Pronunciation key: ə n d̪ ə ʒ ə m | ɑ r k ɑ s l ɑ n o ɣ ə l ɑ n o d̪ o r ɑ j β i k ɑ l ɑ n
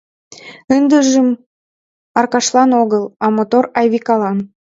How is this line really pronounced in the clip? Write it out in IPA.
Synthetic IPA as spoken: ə n d̪ ə ʒ ə m | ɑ r k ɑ ʃ l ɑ n o ɣ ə l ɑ m o t̪ o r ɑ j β i k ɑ l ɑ n